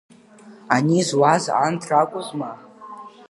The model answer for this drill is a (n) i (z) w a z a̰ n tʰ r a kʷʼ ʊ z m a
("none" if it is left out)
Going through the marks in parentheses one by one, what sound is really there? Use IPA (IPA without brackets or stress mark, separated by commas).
n, z